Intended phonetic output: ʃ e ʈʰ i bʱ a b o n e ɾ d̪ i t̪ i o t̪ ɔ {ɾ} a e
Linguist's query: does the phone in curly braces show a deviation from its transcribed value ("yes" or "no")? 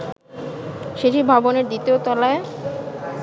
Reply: yes